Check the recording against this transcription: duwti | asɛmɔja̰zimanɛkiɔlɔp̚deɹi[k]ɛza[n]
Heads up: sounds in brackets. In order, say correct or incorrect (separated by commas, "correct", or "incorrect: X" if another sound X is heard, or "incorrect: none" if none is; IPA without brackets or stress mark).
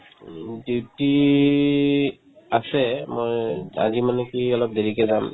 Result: correct, incorrect: m